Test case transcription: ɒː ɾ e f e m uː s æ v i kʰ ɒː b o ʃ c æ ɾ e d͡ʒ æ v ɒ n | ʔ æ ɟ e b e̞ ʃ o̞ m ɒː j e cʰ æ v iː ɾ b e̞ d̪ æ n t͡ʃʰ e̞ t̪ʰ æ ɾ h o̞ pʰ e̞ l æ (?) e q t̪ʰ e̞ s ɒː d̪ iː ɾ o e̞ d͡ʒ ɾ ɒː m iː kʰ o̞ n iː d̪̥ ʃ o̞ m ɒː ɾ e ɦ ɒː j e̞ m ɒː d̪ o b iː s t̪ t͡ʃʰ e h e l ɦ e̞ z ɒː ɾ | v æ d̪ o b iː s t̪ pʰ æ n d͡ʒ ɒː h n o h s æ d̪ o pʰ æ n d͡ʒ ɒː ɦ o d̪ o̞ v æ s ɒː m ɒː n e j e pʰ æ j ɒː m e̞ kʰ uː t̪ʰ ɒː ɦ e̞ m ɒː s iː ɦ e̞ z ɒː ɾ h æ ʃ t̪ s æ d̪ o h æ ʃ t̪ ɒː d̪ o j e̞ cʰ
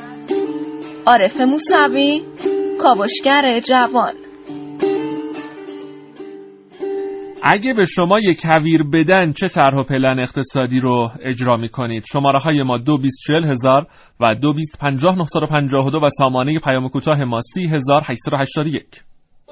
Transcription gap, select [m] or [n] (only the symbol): n